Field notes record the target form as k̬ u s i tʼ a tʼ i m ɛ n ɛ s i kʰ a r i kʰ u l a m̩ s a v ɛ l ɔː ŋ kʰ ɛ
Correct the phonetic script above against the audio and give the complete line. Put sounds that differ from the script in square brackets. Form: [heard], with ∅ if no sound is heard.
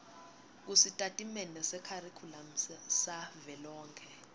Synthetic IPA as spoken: k̬ u s i tʼ a tʼ i m ɛ n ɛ s [ɛ] kʰ a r i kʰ u l a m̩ s a v ɛ l ɔː ŋ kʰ ɛ